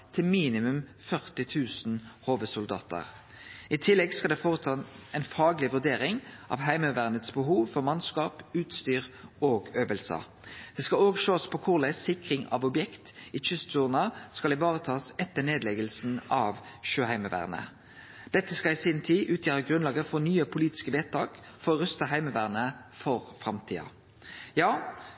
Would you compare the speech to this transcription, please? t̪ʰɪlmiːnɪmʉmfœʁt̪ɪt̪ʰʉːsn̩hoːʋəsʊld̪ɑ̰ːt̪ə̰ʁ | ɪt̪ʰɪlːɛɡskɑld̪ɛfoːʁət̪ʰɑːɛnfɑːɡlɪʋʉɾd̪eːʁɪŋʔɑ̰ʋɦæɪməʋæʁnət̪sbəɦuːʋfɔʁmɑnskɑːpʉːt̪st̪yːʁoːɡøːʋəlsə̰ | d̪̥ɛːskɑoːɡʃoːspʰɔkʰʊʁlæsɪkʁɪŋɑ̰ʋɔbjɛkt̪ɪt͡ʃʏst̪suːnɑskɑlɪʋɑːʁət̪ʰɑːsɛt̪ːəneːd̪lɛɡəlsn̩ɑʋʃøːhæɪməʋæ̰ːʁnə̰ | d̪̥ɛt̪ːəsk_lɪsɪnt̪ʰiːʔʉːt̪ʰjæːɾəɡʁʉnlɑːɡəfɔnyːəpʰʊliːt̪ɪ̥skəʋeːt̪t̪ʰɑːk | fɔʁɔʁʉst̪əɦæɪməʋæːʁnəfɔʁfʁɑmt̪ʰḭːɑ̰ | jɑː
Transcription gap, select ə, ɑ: ɑ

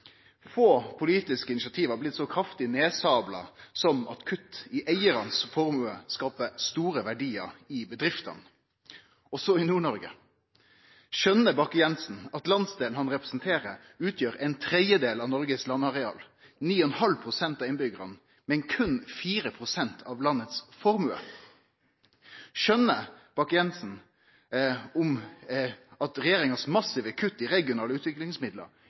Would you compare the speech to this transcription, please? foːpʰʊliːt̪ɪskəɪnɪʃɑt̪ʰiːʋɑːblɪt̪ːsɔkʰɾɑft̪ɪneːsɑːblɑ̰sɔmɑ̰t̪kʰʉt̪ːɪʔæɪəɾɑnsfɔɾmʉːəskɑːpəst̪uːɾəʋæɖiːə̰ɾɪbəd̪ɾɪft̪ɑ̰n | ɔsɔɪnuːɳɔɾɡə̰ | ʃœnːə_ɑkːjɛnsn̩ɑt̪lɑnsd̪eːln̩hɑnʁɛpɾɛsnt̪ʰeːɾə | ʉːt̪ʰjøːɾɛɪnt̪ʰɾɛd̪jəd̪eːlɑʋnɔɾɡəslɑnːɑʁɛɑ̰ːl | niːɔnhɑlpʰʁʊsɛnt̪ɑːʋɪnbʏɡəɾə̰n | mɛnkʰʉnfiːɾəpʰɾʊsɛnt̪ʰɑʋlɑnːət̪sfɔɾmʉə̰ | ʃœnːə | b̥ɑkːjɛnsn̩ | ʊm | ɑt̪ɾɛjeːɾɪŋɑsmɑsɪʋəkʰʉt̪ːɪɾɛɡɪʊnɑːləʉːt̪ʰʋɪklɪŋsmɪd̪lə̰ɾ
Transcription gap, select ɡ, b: b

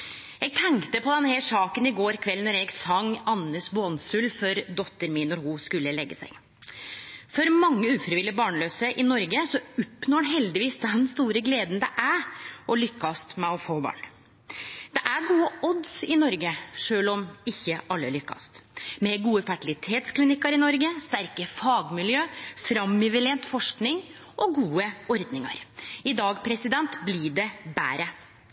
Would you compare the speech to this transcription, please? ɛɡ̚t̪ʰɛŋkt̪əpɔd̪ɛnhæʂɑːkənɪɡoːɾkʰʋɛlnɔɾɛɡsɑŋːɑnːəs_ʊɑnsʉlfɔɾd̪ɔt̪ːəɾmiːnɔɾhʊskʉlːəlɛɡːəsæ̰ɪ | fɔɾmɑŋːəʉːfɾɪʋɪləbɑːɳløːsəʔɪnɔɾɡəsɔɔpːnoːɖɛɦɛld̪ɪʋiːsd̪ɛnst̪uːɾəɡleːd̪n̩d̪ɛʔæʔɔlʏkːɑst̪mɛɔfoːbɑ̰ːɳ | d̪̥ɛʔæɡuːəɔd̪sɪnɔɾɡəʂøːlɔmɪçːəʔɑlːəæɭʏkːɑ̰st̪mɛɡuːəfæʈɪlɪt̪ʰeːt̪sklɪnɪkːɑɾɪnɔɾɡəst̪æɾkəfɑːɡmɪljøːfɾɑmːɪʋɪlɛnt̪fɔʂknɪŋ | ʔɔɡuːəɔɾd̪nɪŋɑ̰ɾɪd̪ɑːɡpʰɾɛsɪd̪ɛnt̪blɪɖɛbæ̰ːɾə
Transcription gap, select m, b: b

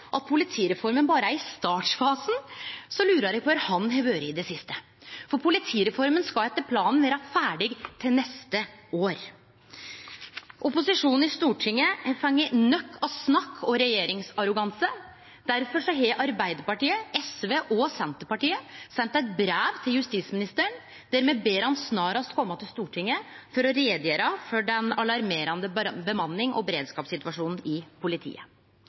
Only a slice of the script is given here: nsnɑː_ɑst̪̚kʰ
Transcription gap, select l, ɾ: ɾ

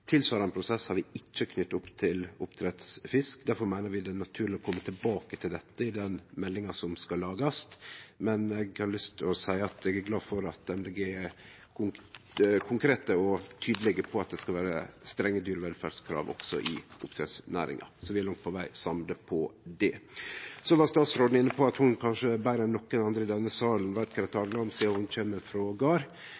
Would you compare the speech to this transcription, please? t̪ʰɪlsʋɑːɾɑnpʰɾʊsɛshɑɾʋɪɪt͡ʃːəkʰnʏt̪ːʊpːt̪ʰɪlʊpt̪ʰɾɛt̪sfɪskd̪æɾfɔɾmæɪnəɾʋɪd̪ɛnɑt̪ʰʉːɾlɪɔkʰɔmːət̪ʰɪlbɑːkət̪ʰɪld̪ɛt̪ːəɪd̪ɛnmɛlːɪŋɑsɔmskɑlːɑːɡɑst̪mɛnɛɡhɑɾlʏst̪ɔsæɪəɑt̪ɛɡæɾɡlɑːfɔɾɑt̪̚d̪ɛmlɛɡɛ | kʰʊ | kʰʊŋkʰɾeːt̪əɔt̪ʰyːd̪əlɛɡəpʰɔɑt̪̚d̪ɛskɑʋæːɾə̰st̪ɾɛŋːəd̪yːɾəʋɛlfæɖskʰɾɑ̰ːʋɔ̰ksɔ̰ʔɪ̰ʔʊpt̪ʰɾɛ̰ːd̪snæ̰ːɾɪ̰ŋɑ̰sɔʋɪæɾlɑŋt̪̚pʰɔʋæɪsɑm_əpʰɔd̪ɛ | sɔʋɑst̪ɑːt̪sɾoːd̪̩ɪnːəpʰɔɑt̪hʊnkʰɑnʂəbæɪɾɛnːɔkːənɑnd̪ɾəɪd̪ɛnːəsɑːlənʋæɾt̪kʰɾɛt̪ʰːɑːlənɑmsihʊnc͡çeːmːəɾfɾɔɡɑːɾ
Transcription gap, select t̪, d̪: d̪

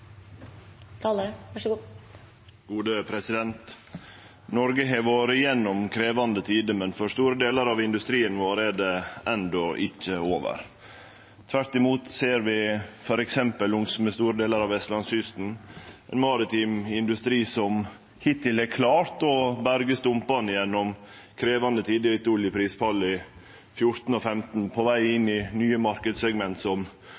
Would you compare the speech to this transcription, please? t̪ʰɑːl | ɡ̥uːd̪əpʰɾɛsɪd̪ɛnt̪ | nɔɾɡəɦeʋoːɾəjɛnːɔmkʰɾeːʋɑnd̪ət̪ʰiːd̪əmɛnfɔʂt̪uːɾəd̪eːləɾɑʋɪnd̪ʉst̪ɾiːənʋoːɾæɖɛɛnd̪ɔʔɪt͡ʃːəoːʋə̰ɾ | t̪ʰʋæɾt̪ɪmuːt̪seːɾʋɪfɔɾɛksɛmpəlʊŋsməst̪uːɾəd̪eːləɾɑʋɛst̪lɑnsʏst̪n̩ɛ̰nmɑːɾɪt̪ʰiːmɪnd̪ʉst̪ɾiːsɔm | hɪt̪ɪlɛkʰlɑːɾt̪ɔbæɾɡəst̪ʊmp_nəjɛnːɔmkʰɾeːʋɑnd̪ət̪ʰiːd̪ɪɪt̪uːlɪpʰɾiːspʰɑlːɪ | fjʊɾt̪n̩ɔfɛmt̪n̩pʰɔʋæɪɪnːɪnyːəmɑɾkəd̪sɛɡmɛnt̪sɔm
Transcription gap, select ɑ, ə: ɑ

